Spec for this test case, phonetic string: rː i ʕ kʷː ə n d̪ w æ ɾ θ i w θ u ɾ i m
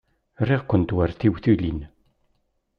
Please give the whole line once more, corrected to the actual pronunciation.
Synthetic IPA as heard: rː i ʁ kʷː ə n t̪ w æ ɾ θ i w θ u l i n